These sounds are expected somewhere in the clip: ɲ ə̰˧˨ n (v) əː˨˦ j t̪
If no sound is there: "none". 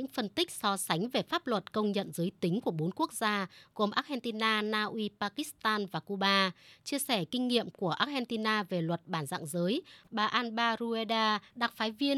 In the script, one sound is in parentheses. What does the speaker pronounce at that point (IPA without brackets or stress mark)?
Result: z